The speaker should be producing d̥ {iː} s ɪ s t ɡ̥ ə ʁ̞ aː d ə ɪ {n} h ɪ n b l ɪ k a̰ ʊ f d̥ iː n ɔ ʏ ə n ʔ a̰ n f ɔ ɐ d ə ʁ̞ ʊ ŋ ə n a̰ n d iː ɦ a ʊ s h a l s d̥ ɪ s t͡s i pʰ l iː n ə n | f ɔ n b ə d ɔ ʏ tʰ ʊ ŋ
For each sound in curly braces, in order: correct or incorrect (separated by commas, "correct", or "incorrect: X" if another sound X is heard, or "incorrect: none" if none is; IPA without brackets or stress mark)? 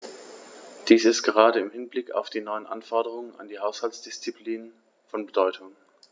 correct, incorrect: m